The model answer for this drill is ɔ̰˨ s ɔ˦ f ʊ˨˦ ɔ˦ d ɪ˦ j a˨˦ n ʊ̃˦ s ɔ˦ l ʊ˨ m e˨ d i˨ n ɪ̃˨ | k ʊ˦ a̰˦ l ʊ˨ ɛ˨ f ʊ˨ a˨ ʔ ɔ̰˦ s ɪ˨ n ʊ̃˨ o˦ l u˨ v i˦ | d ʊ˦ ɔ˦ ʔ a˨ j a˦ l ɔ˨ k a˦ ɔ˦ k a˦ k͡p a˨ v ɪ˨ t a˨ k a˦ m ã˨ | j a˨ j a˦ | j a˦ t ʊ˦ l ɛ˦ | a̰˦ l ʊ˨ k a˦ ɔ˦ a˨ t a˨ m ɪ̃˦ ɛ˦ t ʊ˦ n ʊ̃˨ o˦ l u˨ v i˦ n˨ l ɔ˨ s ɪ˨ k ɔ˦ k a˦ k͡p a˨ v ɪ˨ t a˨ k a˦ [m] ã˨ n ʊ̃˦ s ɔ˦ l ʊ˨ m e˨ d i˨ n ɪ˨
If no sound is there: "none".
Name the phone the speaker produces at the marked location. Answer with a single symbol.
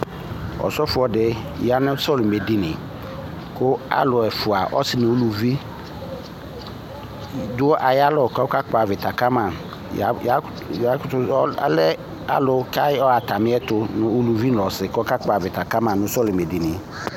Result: m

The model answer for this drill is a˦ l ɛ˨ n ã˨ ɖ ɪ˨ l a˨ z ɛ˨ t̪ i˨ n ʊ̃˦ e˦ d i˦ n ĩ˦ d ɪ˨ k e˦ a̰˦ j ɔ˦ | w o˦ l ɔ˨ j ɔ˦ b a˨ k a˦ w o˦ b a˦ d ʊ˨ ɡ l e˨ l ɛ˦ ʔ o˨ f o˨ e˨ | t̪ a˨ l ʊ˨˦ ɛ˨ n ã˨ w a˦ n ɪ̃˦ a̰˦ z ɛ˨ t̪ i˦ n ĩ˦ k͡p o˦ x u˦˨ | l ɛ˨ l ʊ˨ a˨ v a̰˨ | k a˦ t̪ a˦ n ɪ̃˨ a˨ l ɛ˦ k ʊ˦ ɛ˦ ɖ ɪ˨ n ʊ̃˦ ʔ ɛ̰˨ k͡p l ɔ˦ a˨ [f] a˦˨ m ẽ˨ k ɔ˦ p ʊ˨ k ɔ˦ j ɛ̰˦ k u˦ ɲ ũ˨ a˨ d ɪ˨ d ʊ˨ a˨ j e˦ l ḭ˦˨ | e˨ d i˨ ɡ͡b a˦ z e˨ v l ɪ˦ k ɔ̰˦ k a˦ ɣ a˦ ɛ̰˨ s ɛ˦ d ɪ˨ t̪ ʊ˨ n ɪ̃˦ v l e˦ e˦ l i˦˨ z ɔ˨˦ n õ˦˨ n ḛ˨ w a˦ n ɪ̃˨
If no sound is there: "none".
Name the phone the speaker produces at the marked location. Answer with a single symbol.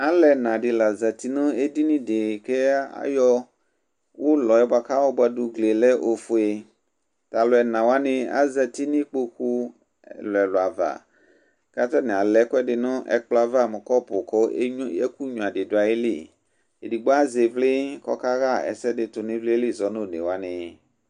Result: v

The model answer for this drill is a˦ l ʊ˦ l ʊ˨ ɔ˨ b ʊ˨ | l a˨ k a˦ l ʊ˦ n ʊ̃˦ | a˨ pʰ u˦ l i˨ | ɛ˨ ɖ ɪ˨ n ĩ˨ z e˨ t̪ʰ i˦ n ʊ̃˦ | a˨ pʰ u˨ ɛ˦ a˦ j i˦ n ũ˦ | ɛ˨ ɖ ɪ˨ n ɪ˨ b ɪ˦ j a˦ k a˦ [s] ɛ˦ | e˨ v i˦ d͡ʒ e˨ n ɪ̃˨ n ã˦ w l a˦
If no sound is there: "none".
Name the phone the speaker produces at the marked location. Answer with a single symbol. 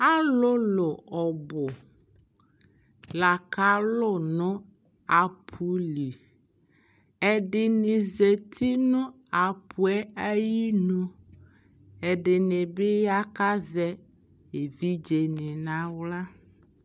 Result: z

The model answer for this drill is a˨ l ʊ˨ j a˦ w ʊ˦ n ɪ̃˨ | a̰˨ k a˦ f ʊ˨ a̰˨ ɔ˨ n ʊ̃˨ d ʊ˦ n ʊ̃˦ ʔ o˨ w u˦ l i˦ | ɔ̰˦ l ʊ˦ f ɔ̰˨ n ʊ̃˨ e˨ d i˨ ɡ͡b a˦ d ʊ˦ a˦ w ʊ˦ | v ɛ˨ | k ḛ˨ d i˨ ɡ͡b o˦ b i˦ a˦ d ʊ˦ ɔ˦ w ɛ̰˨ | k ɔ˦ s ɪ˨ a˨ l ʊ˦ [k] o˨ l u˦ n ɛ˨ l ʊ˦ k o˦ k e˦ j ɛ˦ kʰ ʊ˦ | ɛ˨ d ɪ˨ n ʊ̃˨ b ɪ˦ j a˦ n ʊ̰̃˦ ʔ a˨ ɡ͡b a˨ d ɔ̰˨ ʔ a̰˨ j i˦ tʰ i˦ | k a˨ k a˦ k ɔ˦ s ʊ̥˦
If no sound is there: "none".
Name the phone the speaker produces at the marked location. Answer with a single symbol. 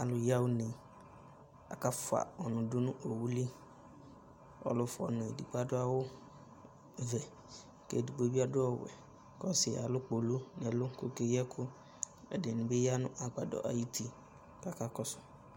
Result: k͡p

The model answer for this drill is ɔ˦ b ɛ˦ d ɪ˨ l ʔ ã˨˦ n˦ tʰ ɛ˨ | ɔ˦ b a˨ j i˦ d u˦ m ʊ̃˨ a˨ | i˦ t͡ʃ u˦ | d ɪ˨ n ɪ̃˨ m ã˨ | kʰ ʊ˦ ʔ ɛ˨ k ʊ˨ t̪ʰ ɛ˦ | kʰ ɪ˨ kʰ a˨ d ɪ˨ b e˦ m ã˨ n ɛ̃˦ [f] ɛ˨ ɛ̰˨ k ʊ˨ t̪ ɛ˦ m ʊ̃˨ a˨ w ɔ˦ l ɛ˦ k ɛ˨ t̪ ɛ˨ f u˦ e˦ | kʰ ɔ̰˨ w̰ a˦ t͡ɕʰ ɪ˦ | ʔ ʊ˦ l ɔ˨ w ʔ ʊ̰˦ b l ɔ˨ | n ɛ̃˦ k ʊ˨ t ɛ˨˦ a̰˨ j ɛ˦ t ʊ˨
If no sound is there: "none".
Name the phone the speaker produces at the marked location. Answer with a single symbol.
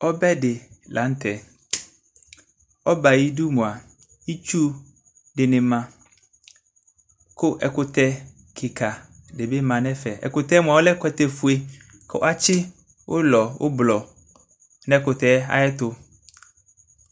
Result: f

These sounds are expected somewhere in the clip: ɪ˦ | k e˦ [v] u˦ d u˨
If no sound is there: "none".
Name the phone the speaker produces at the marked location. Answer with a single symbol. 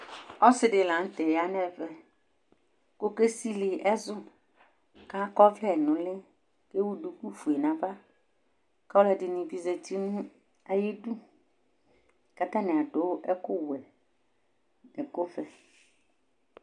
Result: w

